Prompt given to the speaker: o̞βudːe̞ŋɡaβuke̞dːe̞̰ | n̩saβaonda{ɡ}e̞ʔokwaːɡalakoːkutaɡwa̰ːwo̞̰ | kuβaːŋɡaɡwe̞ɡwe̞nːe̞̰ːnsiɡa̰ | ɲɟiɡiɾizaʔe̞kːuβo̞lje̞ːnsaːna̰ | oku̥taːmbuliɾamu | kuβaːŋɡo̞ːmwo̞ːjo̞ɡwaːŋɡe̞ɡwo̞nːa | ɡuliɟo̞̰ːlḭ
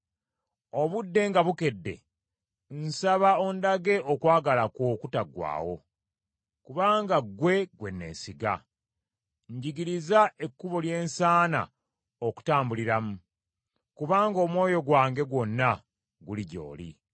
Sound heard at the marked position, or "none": ɡ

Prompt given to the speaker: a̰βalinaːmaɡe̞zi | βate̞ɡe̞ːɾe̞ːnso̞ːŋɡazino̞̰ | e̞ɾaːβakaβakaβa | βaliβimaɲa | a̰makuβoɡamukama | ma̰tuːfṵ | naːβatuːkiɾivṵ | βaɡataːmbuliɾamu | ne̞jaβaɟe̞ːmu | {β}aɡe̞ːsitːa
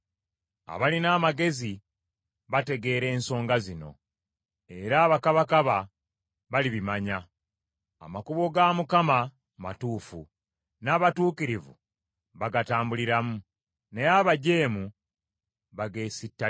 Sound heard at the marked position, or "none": β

